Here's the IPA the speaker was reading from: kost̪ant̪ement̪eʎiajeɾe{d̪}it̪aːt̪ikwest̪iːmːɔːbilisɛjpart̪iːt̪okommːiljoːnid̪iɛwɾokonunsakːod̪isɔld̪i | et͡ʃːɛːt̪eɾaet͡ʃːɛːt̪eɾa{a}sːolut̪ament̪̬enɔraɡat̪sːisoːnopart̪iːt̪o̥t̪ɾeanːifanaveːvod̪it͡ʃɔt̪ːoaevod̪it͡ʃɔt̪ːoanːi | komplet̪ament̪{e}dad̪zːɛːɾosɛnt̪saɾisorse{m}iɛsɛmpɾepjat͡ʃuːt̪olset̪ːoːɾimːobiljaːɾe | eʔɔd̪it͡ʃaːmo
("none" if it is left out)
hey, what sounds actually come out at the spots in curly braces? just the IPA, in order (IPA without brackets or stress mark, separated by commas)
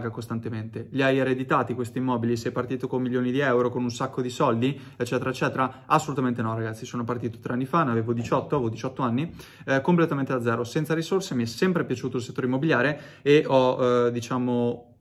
d̪, a, e, m